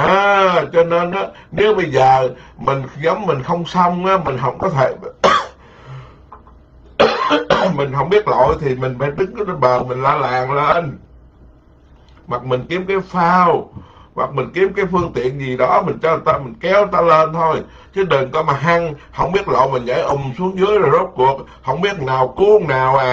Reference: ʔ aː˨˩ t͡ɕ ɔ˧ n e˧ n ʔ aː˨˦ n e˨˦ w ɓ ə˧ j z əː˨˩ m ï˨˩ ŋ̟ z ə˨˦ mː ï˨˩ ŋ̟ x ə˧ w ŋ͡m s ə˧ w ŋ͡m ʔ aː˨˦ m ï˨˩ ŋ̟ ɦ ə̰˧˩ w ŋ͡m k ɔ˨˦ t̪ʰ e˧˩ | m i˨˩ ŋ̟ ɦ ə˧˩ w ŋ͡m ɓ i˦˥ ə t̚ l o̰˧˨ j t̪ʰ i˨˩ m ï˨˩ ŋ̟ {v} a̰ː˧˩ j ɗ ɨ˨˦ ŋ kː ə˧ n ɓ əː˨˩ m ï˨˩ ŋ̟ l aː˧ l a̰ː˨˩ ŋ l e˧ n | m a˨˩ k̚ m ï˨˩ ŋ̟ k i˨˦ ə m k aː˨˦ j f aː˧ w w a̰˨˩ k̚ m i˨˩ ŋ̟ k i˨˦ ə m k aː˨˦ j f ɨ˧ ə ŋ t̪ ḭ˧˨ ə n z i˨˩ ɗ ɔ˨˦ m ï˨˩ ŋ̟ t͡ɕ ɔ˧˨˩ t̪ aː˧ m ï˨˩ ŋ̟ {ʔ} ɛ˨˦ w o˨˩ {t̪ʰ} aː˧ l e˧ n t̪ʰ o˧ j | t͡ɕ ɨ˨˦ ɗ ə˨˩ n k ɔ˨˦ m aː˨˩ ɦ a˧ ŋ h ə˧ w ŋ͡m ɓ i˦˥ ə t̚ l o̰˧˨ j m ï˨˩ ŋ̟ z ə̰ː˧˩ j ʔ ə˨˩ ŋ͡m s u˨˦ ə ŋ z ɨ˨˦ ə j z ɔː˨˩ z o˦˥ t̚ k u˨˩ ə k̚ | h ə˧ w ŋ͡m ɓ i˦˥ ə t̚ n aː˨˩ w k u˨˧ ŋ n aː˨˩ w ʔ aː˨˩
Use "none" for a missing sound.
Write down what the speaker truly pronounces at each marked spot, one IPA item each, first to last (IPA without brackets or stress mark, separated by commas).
f, k, t̪